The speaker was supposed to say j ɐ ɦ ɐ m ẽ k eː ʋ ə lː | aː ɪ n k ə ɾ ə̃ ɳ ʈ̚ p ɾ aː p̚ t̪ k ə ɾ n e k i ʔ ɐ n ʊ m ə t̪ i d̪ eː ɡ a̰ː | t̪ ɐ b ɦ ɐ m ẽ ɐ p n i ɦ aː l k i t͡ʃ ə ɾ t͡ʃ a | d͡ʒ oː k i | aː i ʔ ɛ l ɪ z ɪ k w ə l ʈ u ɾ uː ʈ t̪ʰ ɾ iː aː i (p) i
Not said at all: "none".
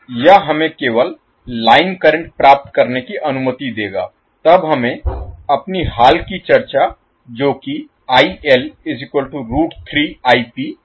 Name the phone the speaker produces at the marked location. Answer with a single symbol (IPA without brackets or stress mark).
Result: p